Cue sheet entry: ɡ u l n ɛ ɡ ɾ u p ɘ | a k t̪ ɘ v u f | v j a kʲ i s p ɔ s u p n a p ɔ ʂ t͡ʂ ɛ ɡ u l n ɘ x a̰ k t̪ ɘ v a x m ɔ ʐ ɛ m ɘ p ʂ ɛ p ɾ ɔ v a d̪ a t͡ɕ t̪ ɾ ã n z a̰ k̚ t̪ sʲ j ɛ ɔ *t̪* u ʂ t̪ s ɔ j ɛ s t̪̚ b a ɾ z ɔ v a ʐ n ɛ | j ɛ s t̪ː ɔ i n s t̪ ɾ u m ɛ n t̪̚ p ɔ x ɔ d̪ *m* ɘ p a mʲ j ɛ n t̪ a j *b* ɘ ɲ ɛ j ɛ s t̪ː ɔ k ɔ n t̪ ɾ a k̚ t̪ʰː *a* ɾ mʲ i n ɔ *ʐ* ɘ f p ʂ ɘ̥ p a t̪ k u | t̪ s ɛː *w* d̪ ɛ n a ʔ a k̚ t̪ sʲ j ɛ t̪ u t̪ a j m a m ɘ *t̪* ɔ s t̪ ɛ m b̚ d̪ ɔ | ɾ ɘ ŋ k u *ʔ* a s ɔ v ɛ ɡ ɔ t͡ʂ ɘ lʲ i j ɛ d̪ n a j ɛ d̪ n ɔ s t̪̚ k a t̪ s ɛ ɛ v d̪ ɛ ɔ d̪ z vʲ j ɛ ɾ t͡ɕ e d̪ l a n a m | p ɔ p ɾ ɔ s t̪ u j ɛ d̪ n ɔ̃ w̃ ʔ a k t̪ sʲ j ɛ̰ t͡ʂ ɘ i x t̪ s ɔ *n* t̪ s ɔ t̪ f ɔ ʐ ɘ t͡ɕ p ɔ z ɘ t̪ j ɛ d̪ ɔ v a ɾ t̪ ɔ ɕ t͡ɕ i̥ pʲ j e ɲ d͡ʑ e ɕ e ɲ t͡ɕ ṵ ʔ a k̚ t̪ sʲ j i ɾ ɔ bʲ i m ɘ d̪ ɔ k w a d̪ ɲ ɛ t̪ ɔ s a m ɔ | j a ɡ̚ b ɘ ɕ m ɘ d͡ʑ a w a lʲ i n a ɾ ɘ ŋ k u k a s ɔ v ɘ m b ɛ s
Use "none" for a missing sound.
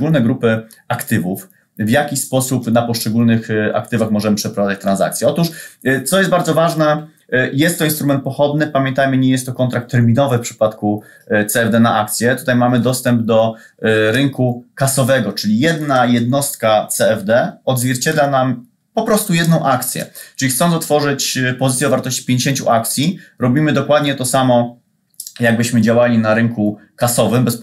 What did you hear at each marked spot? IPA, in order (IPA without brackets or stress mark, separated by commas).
t̪, n, m, ɛ, v, v, d̪, k, n